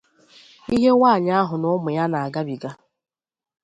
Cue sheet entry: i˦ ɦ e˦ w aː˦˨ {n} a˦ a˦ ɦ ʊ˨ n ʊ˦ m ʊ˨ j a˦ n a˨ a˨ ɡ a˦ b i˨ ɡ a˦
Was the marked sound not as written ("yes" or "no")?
yes